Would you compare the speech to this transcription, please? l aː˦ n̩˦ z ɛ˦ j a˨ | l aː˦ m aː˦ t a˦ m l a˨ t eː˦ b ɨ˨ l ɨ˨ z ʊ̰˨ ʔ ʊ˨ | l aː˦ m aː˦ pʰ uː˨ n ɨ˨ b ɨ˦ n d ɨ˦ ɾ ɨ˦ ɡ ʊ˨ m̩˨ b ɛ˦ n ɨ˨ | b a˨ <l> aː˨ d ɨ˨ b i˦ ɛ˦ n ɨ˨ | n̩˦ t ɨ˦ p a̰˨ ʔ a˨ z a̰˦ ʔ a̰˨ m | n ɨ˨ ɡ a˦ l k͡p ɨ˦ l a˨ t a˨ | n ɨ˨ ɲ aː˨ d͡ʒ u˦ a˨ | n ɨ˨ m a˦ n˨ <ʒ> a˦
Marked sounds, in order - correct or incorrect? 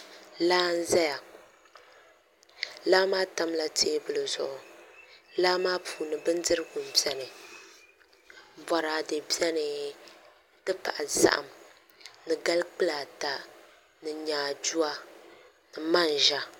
incorrect: ɾ, correct

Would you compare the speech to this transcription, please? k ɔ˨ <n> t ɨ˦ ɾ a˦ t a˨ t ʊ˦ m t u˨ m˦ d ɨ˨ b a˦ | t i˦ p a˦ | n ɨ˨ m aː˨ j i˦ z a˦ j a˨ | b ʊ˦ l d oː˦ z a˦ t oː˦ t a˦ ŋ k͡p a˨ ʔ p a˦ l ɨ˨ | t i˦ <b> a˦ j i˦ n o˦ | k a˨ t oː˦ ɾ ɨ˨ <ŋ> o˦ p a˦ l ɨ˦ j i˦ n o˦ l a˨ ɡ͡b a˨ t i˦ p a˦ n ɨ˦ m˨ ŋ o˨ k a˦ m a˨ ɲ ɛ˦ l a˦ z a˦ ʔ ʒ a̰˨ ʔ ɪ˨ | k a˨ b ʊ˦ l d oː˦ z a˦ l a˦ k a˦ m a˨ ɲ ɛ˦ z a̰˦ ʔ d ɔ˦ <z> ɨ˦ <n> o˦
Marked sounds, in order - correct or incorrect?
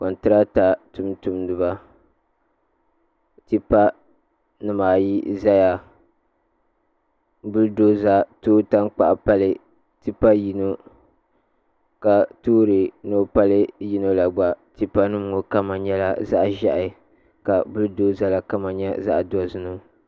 correct, incorrect: p, incorrect: n, correct, correct

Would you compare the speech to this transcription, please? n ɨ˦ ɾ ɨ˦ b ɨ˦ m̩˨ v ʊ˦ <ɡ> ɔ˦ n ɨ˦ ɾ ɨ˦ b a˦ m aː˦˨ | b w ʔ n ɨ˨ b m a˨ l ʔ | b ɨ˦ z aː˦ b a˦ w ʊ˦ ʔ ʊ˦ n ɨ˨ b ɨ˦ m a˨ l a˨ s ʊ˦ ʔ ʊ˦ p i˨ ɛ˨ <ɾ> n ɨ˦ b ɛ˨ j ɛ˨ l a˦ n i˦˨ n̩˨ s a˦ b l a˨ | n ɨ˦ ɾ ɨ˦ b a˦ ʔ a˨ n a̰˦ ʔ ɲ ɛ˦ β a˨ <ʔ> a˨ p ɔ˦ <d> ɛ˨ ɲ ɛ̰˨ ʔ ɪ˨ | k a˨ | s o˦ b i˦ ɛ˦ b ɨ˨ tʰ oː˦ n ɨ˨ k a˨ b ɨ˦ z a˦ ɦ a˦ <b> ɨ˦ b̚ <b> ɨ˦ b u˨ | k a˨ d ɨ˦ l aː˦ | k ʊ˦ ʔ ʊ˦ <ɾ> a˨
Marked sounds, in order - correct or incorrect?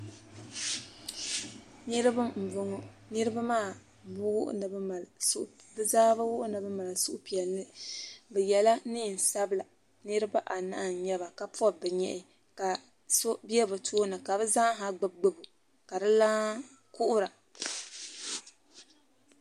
incorrect: ŋ, incorrect: l, incorrect: k, incorrect: b, incorrect: ɡ͡b, incorrect: ɡ͡b, correct

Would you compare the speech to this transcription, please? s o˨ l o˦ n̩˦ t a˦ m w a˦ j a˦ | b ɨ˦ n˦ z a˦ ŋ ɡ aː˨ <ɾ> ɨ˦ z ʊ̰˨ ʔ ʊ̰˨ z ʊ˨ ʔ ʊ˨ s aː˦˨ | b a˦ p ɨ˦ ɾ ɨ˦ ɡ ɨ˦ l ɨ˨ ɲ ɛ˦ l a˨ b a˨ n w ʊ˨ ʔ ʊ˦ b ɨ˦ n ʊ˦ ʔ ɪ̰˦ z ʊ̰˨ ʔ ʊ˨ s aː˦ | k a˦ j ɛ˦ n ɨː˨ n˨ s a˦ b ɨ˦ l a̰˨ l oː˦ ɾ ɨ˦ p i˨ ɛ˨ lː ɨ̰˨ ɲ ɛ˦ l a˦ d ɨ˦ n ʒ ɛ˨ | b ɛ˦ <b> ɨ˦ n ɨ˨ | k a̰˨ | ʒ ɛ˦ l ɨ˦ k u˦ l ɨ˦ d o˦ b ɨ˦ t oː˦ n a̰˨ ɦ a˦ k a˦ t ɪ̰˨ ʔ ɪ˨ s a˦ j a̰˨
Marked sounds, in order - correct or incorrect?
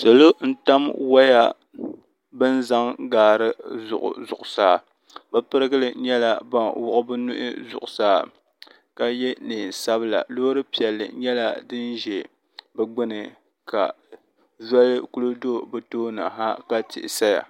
correct, incorrect: ɡ͡b

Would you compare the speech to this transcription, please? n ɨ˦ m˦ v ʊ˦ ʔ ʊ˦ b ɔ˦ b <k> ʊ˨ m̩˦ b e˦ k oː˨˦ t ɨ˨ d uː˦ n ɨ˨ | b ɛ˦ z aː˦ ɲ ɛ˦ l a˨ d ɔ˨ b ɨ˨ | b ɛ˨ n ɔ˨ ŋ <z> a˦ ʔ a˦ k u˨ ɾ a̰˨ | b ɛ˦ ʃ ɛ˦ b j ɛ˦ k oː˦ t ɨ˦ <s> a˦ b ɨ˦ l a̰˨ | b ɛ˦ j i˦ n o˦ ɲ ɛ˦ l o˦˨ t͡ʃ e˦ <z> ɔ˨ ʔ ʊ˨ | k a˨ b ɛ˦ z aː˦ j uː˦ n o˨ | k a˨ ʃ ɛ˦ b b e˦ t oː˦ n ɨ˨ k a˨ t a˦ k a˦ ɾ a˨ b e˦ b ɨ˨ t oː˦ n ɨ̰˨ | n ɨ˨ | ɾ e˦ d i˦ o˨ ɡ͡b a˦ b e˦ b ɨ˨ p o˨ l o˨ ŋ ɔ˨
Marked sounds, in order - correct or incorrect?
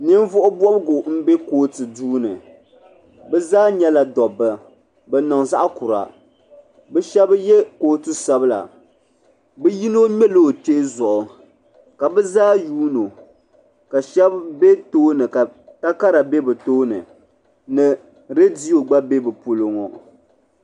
incorrect: ɡ, correct, correct, correct

